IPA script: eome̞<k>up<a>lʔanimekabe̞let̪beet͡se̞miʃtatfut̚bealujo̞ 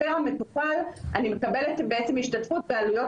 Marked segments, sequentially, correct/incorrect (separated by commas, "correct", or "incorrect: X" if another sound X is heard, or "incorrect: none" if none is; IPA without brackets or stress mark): incorrect: t, correct